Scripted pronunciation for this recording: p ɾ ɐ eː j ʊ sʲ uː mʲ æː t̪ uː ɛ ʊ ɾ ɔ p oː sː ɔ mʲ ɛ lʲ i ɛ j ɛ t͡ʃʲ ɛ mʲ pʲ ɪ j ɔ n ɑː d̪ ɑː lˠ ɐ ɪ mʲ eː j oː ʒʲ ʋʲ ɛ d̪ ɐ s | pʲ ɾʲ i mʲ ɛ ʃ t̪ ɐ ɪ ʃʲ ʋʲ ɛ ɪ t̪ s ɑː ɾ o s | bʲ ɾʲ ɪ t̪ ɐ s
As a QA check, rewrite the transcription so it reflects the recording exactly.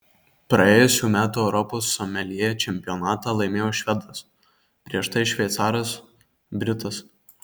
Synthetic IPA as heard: p ɾ ɐ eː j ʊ sʲ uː mʲ æː t̪ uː ɛ ʊ ɾ ɔ p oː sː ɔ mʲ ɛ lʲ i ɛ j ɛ t͡ʃʲ ɛ mʲ pʲ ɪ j ɔ n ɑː t̪ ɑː lˠ ɐ ɪ mʲ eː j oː ʃʲ ʋʲ ɛ d̪ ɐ s | pʲ ɾʲ i ɛ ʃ t̪ ɐ ɪ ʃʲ ʋʲ ɛ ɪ t̪ s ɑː ɾ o s | bʲ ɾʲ ɪ t̪ ɐ s